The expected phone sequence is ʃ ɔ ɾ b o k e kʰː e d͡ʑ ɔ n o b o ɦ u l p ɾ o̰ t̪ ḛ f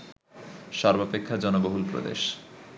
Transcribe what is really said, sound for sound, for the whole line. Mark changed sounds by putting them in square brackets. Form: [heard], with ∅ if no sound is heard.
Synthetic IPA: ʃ ɔ ɾ b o [p] e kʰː [a] d͡ʑ ɔ n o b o ɦ u l p ɾ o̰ [d̪] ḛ [ʃ]